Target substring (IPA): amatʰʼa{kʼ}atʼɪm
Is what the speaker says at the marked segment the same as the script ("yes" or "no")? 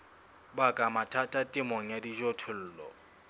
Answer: no